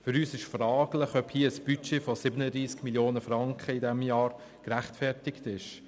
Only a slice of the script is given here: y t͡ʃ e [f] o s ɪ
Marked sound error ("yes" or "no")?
no